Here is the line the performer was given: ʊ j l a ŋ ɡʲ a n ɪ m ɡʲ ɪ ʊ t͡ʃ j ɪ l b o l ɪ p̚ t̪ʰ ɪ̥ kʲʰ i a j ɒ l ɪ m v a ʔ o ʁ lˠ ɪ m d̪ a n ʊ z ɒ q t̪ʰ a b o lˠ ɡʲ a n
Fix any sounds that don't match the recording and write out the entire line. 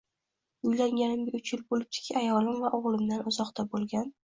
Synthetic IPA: ʊ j l a ŋ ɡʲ a n ɪ m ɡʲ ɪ ʊ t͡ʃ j ɪ l b o l ɪ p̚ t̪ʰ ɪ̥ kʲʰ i a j ɒ l ɪ m v a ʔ o ʁ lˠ ɪ m d̪ a n ʊ z ɒ q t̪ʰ a b o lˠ ɡʲ a n